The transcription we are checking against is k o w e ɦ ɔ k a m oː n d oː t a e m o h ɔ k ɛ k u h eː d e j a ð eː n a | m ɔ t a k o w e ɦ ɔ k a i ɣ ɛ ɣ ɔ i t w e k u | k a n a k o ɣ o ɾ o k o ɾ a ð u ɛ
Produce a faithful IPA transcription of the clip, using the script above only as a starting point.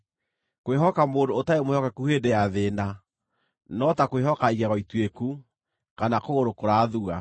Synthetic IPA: k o w e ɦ ɔ k a m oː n d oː t a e m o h ɔ k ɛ k u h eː d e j a ð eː n a | n ɔ t a k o w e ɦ ɔ k a i ɣ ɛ ɣ ɔ i t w e k u | k a n a k o ɣ o ɾ o k o ɾ a ð u a